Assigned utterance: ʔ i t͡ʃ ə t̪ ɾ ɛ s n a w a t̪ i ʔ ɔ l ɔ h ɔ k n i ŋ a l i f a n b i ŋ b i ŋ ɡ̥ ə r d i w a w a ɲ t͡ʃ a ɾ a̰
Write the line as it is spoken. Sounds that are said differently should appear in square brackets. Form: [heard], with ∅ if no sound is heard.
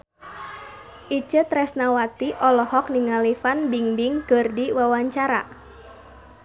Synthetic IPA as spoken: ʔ i t͡ʃ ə t̪ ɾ ɛ s n a w a t̪ i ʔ ɔ l ɔ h ɔ k n i ŋ a l i f a n b i ŋ b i ŋ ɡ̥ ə r d i w a w a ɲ t͡ʃ a ɾ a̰